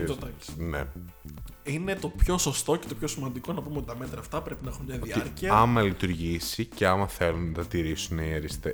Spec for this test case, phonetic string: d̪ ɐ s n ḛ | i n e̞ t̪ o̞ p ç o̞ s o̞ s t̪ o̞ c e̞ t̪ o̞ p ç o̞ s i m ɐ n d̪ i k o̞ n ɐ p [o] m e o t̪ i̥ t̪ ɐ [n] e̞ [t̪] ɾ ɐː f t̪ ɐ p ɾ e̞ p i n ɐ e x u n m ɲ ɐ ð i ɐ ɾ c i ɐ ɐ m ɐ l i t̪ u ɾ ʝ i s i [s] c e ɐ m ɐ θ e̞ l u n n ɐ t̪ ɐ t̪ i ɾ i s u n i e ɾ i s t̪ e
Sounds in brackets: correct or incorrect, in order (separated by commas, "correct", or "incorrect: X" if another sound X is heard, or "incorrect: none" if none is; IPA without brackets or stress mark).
incorrect: u, incorrect: m, correct, incorrect: none